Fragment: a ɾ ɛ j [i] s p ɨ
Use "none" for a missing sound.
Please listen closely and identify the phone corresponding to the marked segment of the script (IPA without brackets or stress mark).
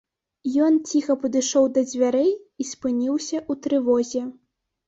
i